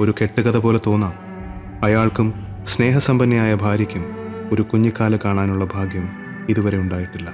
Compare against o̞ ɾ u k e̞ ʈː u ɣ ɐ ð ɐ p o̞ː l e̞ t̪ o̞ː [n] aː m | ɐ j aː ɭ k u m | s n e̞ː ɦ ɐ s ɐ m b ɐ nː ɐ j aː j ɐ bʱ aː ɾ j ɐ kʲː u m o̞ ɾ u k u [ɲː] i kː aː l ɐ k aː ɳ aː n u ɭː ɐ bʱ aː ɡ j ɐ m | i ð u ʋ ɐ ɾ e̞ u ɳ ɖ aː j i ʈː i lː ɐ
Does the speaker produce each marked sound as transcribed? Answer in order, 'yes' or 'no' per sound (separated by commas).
no, yes